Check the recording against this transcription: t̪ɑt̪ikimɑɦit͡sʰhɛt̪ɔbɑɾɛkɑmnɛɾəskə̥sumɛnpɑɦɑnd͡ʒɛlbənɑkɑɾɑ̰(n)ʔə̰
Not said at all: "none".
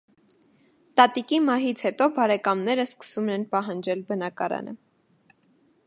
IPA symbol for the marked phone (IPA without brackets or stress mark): n